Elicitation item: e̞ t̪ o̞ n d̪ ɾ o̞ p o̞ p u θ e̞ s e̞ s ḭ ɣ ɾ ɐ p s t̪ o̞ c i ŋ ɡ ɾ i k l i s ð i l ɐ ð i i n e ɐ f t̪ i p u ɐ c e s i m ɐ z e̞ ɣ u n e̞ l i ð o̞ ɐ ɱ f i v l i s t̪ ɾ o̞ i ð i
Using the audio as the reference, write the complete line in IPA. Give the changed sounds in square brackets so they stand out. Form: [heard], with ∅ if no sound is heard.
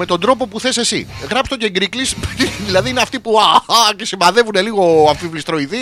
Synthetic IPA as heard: e̞ t̪ o̞ n d̪ ɾ o̞ p o̞ p u θ e̞ s e̞ s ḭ ɣ ɾ ɐ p s t̪ o̞ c [e] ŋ ɡ ɾ i k l i s ð i l ɐ ð i i n e ɐ f t̪ i p u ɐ c e s i m ɐ [ð] e̞ [v] u n e̞ l i [ɣ] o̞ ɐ ɱ f i v l i s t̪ ɾ o̞ i ð i